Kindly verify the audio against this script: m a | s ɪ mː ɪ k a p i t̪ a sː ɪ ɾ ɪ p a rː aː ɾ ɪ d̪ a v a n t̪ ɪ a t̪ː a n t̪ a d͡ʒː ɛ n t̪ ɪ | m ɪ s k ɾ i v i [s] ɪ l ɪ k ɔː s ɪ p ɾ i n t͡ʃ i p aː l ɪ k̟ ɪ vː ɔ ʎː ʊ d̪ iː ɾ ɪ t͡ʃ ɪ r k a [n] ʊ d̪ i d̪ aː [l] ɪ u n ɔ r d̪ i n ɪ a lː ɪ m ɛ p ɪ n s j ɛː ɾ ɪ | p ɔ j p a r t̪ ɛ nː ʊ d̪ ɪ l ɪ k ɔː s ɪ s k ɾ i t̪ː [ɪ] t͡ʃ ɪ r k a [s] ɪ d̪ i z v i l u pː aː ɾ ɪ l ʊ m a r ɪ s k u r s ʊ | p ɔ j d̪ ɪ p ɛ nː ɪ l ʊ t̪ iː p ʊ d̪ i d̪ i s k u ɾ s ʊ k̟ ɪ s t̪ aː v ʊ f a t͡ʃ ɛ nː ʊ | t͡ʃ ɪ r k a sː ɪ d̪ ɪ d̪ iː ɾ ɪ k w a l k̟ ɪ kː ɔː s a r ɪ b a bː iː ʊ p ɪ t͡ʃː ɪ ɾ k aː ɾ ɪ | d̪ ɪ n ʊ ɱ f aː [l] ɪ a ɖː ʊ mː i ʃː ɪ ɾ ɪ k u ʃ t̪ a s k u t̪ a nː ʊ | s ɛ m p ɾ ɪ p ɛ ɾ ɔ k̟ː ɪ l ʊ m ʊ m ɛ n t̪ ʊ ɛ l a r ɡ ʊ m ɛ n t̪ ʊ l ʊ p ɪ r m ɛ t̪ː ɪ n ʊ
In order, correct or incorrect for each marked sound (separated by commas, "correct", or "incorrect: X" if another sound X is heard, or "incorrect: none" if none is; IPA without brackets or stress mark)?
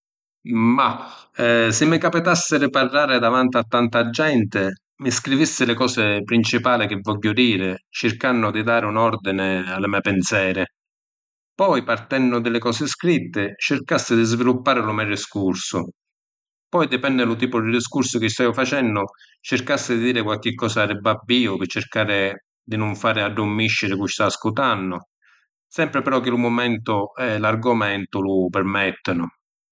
incorrect: sː, incorrect: nː, incorrect: ɾ, correct, incorrect: sː, incorrect: ɾ